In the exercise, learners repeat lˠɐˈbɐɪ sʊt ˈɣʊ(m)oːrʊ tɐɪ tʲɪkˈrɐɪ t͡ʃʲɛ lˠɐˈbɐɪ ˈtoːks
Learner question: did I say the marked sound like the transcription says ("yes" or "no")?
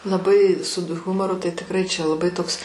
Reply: yes